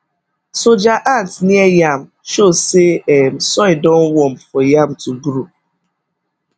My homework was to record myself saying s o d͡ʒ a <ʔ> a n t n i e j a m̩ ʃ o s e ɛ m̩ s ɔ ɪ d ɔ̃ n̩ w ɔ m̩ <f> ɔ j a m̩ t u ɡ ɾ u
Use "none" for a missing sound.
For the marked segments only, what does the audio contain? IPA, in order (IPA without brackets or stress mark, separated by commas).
ʔ, f